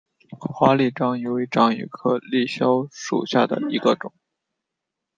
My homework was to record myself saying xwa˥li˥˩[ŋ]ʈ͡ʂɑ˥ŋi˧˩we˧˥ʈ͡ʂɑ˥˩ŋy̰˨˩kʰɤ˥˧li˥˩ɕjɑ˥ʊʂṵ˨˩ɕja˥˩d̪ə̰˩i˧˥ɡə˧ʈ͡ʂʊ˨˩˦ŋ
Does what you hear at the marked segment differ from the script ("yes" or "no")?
yes